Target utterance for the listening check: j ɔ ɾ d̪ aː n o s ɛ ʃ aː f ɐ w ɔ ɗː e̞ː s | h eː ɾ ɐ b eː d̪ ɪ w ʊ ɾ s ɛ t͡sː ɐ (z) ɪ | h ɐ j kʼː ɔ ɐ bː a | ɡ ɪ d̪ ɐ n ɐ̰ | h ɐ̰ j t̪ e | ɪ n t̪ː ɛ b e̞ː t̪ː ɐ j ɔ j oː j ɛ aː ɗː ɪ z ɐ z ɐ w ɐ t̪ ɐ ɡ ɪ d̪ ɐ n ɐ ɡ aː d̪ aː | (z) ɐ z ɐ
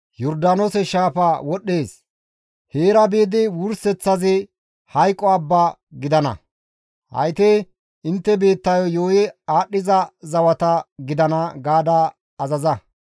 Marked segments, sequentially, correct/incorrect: correct, correct

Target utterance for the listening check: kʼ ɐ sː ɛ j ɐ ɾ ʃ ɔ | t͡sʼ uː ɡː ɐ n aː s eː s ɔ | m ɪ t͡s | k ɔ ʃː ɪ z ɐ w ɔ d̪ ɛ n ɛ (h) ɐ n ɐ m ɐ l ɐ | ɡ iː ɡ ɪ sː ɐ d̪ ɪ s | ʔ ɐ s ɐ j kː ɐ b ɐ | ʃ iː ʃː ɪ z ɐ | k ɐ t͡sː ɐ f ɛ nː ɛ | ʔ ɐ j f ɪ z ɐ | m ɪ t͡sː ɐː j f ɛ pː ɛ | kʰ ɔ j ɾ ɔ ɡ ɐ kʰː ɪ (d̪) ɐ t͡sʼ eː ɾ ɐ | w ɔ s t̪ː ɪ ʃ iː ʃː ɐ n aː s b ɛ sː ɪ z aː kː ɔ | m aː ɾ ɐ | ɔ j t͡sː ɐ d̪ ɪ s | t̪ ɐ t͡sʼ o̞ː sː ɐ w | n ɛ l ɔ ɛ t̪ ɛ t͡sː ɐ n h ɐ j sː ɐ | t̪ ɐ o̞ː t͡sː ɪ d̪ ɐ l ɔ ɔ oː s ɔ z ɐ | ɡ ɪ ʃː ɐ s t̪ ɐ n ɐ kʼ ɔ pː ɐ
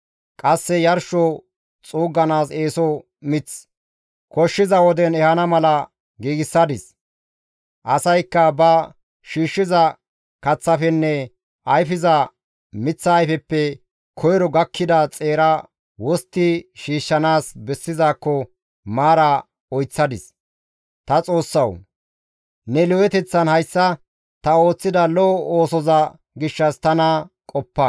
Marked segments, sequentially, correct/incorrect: correct, correct

